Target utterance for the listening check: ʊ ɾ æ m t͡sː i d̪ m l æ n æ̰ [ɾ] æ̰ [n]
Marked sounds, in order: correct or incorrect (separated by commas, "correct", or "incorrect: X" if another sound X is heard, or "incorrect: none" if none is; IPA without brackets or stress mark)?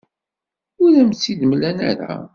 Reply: correct, incorrect: none